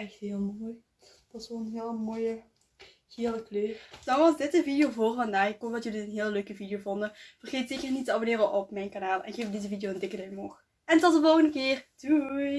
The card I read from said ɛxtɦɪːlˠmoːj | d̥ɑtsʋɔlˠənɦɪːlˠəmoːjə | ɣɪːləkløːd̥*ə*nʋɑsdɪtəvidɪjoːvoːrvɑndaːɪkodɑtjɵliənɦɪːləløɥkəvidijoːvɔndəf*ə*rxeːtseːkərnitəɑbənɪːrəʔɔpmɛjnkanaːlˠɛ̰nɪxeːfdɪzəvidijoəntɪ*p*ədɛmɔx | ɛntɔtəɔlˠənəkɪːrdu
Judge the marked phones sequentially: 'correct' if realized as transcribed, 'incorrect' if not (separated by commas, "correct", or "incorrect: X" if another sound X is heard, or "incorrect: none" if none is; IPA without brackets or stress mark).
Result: incorrect: ɑ, correct, incorrect: k